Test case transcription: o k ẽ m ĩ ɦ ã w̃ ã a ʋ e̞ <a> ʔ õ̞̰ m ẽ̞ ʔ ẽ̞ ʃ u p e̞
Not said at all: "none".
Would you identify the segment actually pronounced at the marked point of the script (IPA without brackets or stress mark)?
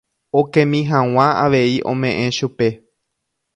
i